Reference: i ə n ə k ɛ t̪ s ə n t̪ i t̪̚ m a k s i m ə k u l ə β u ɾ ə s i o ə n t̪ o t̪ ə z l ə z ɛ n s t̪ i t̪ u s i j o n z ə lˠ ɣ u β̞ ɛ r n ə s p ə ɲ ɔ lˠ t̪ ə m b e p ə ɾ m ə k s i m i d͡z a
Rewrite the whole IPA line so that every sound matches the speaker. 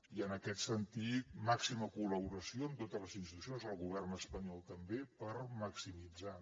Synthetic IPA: i ə n ə k ɛ t̪ s ə n t̪ i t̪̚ m a k s i m ə k u l ə β u ɾ ə s i o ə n t̪ o t̪ ə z l ə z i n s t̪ i t̪ u s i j o n z ə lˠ ɣ u β̞ ɛ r n ə s p ə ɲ ɔ lˠ t̪ ə m b e p ə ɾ m ə k s i m i d͡z a